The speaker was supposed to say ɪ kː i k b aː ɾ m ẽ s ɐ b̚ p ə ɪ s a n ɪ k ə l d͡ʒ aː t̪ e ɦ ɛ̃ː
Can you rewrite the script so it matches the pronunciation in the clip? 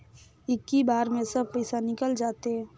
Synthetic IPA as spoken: ɪ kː i b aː ɾ m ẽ s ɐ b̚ p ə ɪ s a n ɪ k ə l d͡ʒ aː t̪ e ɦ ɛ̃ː